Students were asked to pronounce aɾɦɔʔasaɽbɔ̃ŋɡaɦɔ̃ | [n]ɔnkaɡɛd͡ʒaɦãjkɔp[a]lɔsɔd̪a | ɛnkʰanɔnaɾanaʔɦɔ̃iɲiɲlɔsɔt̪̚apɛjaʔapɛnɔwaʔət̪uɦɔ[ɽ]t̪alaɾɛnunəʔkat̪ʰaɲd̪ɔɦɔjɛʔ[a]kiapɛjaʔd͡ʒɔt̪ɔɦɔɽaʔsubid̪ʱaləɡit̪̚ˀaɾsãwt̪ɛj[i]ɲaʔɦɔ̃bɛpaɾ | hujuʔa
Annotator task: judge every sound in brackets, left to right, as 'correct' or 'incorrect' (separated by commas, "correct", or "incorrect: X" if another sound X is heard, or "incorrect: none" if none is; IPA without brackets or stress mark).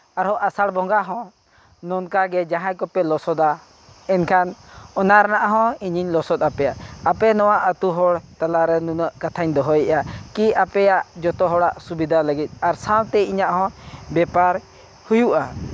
correct, incorrect: ɛ, correct, correct, correct